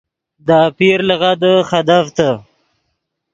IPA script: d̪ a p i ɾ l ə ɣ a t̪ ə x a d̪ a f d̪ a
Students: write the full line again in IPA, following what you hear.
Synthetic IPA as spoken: d̪ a p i ɾ l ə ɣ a d̪ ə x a d̪ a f t̪ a